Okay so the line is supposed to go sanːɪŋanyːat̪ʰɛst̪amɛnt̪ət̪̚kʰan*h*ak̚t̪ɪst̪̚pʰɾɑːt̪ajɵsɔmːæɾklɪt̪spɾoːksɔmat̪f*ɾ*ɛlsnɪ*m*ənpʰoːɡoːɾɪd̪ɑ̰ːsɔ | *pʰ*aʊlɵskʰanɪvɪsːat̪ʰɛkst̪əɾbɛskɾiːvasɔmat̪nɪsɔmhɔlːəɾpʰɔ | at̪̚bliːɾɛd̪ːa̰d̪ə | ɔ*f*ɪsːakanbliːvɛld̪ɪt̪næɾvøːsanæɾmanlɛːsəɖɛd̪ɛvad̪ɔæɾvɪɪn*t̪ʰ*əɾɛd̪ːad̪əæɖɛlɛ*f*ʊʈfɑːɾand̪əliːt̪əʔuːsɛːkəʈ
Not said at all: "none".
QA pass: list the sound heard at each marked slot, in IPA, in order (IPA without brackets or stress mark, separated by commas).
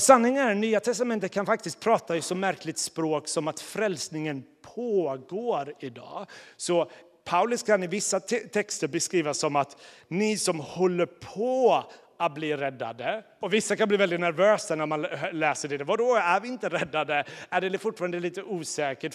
f, ɾ, ŋ, pʰ, v, t̪, f